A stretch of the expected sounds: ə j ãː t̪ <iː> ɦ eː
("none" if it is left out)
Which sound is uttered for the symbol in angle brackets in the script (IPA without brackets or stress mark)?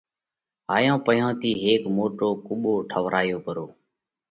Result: iː